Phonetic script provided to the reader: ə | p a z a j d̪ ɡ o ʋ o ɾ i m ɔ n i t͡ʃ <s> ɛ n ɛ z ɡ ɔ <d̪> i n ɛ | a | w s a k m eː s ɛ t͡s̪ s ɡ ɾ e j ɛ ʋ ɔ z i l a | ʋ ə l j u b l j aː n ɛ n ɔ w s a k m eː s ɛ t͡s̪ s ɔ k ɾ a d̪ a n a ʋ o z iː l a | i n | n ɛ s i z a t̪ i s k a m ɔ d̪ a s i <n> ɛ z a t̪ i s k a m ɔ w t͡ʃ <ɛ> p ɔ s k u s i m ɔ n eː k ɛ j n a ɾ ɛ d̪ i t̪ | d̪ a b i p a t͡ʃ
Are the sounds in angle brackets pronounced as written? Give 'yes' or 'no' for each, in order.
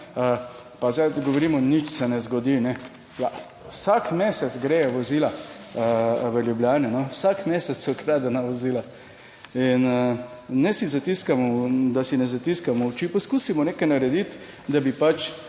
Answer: yes, yes, yes, no

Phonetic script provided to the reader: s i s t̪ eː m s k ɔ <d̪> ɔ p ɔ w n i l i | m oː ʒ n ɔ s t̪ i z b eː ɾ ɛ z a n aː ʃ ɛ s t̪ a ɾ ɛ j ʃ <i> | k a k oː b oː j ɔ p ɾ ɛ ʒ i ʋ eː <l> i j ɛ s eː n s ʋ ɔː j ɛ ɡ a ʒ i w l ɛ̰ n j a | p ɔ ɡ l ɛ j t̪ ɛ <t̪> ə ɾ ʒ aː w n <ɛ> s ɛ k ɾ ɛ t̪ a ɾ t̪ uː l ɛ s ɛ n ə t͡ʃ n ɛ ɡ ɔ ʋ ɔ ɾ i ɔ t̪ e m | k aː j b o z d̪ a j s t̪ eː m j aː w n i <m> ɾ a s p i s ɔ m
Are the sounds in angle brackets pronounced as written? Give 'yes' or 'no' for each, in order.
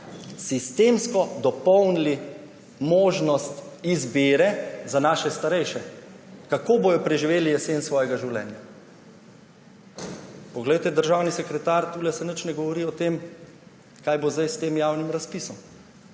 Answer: yes, no, yes, no, no, yes

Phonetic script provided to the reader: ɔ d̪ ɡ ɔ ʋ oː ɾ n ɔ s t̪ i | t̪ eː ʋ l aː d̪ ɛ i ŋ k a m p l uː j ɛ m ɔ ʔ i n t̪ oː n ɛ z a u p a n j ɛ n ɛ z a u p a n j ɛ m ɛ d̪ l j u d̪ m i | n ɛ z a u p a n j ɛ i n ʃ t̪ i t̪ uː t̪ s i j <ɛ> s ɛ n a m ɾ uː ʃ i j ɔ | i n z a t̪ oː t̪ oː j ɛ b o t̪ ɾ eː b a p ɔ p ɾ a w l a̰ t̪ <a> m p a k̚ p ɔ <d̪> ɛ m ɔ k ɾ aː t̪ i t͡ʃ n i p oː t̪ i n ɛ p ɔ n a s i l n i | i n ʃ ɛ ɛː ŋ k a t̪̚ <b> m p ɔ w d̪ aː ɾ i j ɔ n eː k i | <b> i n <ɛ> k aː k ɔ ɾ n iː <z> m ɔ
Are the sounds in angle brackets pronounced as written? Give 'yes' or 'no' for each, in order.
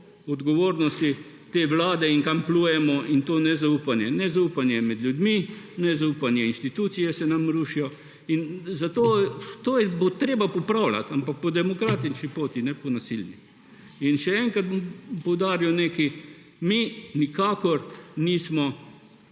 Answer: yes, yes, yes, yes, no, no, no

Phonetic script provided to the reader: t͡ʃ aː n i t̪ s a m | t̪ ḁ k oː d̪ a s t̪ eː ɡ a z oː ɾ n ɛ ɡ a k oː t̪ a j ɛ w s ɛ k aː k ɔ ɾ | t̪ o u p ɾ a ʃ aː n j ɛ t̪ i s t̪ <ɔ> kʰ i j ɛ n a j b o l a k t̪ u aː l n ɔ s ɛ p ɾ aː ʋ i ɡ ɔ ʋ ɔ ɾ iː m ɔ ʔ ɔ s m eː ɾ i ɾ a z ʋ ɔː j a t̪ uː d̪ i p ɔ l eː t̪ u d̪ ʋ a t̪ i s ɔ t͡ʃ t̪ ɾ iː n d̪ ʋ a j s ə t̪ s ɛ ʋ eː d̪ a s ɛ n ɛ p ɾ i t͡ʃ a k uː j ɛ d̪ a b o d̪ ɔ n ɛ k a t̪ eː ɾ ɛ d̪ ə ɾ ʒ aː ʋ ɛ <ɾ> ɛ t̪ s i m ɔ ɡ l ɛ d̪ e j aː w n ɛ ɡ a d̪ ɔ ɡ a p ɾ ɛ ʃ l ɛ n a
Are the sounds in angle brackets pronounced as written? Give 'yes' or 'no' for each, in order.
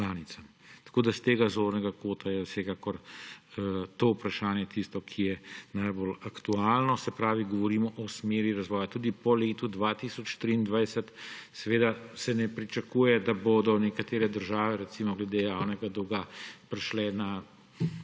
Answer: yes, yes

